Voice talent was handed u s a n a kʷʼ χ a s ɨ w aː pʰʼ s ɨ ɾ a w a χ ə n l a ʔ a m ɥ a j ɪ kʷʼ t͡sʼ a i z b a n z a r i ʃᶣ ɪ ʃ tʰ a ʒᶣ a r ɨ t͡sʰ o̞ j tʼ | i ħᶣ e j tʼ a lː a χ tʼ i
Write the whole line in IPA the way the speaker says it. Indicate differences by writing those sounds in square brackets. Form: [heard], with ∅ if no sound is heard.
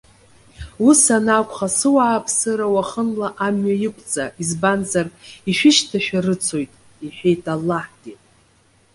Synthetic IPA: u s a n a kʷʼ χ a s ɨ w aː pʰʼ s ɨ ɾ a w a χ ə n l a ʔ a m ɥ a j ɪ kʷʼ t͡sʼ a i z b a n z a r i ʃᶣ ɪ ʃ tʰ a [ʃᶣ] a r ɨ t͡sʰ o̞ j tʼ | i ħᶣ e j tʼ a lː a [ħ] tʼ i